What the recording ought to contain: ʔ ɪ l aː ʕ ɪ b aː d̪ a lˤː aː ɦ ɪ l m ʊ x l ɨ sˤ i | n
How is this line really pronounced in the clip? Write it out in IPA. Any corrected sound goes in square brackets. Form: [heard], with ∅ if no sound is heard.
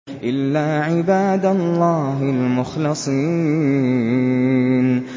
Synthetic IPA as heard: ʔ ɪ [lː] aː ʕ ɪ b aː d̪ a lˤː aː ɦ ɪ l m ʊ x l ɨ sˤ i | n